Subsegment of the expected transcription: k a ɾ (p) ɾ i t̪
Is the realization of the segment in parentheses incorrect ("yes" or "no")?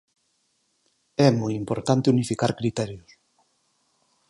yes